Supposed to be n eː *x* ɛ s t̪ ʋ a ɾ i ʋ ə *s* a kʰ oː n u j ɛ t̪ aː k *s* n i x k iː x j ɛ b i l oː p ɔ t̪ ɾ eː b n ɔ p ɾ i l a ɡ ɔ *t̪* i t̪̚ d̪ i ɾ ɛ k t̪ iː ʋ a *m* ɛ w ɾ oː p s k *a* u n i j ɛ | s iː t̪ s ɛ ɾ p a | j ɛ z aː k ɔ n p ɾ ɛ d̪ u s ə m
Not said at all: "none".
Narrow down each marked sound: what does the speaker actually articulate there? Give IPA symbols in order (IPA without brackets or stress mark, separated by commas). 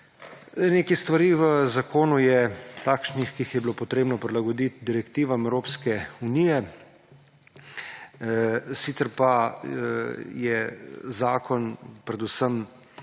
k, z, ʃ, d̪, m, ɛ